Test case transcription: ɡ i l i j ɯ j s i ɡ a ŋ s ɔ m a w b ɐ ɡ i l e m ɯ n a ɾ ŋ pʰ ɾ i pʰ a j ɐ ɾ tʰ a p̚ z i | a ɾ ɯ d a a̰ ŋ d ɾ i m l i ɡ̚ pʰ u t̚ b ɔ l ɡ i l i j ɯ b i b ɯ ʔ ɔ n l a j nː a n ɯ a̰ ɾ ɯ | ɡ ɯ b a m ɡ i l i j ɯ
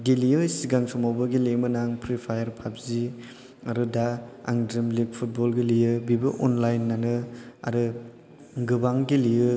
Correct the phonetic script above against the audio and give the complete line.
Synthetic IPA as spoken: ɡ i l i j ɯ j s i ɡ a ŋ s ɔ m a w b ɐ ɡ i l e m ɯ n a ŋ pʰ ɾ i pʰ a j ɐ ɾ pʰ a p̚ z i | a ɾ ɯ d a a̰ ŋ d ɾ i m l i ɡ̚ pʰ u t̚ b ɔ l ɡ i l i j ɯ b i b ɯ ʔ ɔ n l a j nː a n ɯ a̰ ɾ ɯ | ɡ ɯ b a ŋ ɡ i l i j ɯ